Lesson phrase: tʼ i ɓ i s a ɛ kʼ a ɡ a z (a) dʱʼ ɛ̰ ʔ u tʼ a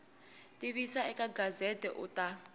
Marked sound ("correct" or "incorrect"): incorrect